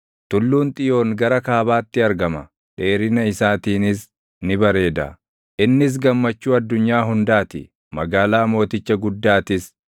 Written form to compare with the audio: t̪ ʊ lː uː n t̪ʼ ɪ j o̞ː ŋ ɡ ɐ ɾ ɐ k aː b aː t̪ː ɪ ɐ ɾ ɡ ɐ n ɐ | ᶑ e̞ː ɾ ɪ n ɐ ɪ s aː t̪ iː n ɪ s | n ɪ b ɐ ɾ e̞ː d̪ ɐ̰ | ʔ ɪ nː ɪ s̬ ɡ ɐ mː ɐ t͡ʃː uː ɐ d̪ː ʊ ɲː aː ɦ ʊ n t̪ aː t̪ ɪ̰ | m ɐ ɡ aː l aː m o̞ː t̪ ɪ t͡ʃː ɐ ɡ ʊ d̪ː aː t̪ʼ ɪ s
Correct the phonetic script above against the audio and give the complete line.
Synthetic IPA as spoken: t̪ ʊ lː uː n t̪ʼ ɪ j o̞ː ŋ ɡ ɐ ɾ ɐ k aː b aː t̪ː ɪ ɐ ɾ ɡ ɐ m ɐ | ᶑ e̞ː ɾ ɪ n ɐ ɪ s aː t̪ iː n ɪ s | n ɪ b ɐ ɾ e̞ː d̪ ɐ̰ | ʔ ɪ nː ɪ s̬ ɡ ɐ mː ɐ t͡ʃː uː ɐ d̪ː ʊ ɲː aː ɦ ʊ n d̪ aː t̪ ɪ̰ | m ɐ ɡ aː l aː m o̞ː t̪ ɪ t͡ʃː ɐ ɡ ʊ d̪ː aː t̪ ɪ s